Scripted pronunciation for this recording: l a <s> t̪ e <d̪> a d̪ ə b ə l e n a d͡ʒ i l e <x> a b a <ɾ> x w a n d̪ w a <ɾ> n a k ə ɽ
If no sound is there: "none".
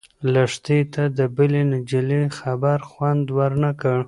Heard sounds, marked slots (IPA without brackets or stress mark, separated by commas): ʂ, t̪, x, ɾ, ɾ